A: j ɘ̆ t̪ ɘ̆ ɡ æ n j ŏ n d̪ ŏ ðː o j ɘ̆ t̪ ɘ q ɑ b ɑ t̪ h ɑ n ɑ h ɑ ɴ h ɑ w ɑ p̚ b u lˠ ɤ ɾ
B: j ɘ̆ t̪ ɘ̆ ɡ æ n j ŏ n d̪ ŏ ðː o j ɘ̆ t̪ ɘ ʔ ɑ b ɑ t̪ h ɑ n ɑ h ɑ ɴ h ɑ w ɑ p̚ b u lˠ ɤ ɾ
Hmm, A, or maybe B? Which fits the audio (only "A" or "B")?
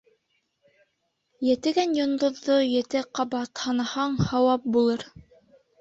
A